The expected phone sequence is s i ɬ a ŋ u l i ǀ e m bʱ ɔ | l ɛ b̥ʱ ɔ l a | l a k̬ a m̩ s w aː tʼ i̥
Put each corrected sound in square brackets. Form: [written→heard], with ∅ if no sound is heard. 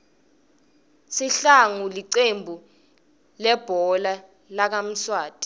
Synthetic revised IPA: s i ɬ a ŋ u l i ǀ e m bʱ [ɔ→u] | l ɛ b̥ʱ ɔ l a | l a k̬ a m̩ s w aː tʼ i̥